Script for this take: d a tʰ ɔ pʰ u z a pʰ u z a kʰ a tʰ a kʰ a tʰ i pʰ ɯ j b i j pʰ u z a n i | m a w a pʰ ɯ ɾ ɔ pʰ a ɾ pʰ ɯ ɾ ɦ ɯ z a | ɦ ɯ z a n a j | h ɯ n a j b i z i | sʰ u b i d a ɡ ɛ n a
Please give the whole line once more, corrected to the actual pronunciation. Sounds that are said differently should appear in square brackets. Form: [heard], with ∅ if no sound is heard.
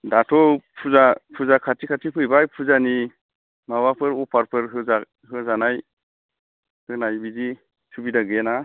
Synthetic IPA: d a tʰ ɔ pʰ u z a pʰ u z a kʰ a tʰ [i] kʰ a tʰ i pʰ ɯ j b [a] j pʰ u z a n i | m a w a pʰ ɯ ɾ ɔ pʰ a ɾ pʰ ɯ ɾ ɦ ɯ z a | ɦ ɯ z a n a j | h ɯ n a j b i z i | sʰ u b i d a ɡ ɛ n a

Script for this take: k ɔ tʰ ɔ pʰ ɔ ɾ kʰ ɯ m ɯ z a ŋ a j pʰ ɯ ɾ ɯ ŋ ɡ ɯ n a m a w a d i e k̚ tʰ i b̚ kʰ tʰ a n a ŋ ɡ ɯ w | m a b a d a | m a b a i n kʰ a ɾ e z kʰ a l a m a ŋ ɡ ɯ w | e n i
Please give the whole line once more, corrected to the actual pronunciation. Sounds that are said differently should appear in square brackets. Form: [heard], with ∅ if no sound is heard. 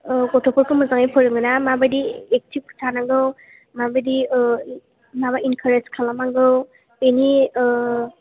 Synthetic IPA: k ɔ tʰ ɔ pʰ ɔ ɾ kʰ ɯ m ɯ z a ŋ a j pʰ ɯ ɾ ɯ ŋ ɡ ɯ n a m a [b] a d i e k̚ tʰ i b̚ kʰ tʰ a n a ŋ ɡ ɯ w | m a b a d [i] | m a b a i n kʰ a ɾ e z kʰ a l a m a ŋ ɡ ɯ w | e n i

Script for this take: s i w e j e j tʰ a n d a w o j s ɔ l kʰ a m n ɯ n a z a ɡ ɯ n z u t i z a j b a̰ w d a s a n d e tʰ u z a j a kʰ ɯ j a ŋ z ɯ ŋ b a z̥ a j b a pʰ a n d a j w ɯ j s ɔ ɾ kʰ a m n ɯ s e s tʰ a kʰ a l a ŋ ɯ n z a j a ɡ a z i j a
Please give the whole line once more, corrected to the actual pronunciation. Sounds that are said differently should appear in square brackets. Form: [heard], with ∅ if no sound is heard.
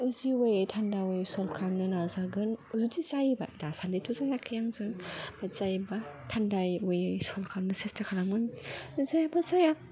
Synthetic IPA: [z] i w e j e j tʰ a n d a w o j s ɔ l kʰ a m n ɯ n a z a ɡ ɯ n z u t i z a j b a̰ [∅] d a s a n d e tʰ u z a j a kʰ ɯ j a ŋ z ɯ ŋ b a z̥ a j b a [tʰ] a n d a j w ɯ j s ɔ [l] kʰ a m n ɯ s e s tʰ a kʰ a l a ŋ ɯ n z a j a [b] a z [a] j a

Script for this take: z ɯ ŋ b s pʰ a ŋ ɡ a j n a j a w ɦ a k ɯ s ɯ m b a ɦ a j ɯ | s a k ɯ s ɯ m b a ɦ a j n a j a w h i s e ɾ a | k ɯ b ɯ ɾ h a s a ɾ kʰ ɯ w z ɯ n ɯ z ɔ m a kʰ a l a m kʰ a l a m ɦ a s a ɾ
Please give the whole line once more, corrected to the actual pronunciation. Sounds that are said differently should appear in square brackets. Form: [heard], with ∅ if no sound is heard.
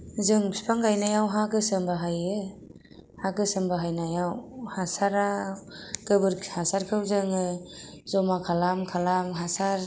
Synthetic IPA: z ɯ ŋ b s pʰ a ŋ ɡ a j n a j a w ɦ a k ɯ s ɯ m b a ɦ a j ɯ | [h] a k ɯ s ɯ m b a ɦ a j n a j a w h [a] s [a] ɾ a | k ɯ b ɯ ɾ h a s a ɾ kʰ ɯ w z ɯ [ŋ] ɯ z ɔ m a kʰ a l a m kʰ a l a m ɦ a s a ɾ

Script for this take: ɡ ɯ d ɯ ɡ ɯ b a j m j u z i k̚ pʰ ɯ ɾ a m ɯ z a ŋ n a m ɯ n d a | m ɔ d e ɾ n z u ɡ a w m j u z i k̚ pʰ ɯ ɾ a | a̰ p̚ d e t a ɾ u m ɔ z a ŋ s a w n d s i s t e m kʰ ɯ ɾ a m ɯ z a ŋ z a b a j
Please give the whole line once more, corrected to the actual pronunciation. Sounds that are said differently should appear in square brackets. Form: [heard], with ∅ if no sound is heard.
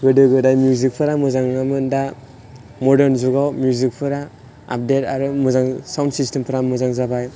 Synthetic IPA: ɡ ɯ d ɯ ɡ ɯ [d] a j m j u z i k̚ pʰ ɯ ɾ a m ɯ z a ŋ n a m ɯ n d a | m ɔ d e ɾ n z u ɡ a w m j u z i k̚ pʰ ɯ ɾ a | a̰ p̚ d e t a ɾ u m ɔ z a ŋ s a w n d s i s t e m [pʰ] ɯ ɾ a m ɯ z a ŋ z a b a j

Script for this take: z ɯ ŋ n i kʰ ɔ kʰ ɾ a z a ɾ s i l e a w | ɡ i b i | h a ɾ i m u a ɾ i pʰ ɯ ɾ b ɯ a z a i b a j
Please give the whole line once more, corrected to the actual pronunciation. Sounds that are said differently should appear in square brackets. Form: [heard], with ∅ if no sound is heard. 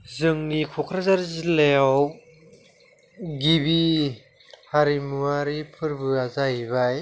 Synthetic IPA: z ɯ ŋ n i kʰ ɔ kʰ ɾ a z a ɾ [z] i l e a w | ɡ i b i | h a ɾ i m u a ɾ i pʰ ɯ ɾ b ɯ a z a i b a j

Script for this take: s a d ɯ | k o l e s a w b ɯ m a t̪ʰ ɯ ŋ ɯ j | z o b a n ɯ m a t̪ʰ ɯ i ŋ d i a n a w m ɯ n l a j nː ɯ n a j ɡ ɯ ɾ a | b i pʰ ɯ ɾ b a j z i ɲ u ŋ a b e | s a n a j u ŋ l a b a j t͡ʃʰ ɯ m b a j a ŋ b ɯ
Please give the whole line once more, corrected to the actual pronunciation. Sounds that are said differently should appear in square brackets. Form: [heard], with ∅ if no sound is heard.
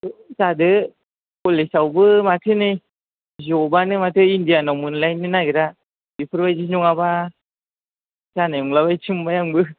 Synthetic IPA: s a d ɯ | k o l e s a w b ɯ m a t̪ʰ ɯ [n] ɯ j | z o b a n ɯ m a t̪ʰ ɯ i [n] d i a n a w m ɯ n l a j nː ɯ n a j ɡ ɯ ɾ a | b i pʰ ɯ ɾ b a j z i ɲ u ŋ a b [a] | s a n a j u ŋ l a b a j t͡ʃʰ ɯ m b a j a ŋ b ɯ

